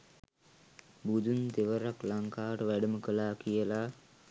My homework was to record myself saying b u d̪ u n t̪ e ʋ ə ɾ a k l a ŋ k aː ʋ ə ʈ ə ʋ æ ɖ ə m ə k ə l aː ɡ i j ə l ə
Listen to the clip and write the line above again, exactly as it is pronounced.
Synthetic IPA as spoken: b u d̪ u n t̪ e ʋ ə ɾ a k l a ŋ k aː ʋ ə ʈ ə ʋ æ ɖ ə m ə k ə l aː k i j ə l a

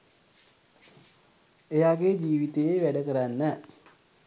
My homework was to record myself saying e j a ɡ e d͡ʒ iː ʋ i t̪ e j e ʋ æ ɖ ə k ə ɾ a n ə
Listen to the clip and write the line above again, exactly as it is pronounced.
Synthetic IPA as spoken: e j a ɡ e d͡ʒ iː ʋ i t̪ e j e ʋ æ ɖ ə k ə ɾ a nː ə

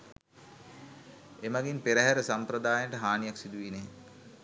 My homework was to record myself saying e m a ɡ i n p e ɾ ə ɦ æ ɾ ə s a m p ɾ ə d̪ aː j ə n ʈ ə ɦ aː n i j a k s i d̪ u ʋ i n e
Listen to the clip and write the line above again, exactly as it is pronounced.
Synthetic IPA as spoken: e m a ɡ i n p e ɾ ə ɦ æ ɾ ə s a m p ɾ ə d̪ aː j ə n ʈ ə ɦ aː n i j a k s i d̪ u ʋ i n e

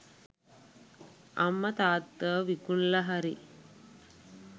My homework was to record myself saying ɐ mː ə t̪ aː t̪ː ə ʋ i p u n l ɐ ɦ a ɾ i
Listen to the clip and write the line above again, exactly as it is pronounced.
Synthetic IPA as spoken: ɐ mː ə t̪ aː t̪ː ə ʋ i k u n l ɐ ɦ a ɾ i

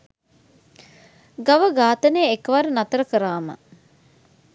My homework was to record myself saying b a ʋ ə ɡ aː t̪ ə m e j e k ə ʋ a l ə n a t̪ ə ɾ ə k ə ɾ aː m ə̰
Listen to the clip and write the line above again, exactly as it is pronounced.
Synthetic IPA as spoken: ɡ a ʋ ə ɡ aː t̪ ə n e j e k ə ʋ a ɾ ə n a t̪ ə ɾ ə k ə ɾ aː m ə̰

